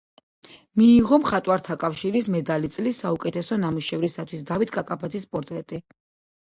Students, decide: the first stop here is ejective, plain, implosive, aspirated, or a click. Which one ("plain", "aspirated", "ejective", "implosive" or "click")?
ejective